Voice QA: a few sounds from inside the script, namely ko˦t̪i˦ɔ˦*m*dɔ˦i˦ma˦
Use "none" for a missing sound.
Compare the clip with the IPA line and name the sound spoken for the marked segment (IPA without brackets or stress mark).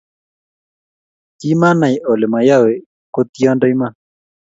n